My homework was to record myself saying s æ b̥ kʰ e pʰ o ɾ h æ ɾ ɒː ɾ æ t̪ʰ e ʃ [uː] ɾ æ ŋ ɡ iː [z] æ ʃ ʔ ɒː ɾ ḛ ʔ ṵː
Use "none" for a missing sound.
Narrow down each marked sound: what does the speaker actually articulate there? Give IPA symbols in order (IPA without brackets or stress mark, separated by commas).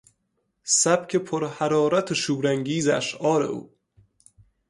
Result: uː, z